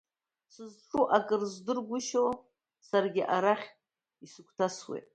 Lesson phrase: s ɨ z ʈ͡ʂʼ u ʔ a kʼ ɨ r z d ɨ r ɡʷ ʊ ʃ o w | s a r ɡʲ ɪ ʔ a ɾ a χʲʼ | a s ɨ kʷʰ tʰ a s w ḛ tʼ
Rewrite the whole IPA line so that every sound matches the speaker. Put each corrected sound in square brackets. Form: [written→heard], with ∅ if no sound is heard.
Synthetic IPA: s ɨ z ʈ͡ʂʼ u ʔ a kʼ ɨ r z d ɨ r ɡʷ ʊ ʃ o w | s a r ɡʲ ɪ ʔ a ɾ a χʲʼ | [a→i] s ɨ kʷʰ tʰ a s w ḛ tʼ